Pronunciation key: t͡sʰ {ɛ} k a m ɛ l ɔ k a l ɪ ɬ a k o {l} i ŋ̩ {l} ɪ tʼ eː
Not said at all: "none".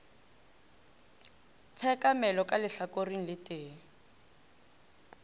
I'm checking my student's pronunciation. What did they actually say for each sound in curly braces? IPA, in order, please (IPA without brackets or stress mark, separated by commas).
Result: ɛ, r, l